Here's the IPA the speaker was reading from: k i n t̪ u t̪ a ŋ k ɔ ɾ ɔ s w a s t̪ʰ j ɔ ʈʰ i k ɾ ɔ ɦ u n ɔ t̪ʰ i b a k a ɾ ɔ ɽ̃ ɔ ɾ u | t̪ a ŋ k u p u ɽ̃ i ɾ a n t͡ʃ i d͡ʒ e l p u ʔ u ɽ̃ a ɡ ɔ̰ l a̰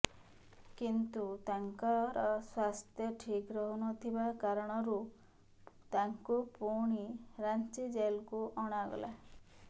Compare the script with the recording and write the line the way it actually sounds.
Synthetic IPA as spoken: k i n t̪ u t̪ a ŋ k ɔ ɾ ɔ s w a s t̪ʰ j ɔ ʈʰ i k ɾ ɔ ɦ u n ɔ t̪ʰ i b a k a ɾ ɔ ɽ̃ ɔ ɾ u | t̪ a ŋ k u p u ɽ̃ i ɾ a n t͡ʃ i d͡ʒ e l k u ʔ ɔ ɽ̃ a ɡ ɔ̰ l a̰